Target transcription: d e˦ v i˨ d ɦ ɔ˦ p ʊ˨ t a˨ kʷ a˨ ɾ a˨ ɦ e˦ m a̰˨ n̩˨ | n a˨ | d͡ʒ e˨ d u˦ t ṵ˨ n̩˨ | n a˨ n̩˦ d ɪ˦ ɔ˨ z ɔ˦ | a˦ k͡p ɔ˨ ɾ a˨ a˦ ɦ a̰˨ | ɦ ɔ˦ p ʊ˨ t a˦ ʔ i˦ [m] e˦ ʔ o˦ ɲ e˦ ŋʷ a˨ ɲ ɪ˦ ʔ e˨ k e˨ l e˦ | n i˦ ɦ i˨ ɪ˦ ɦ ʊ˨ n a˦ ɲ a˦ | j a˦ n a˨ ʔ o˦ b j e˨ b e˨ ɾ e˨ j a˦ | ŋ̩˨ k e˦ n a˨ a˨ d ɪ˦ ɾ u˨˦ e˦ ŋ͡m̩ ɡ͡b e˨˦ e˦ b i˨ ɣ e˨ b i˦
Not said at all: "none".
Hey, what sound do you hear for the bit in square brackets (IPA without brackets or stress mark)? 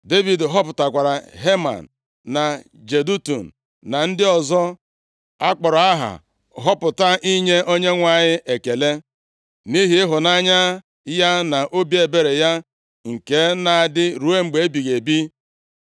ɲ